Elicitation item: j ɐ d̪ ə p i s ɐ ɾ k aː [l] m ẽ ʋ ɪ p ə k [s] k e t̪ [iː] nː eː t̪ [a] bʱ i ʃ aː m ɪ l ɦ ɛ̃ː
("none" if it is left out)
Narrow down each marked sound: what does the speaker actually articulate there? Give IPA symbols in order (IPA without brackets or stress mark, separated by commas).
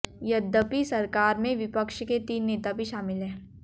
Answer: ɾ, ʃ, iː, a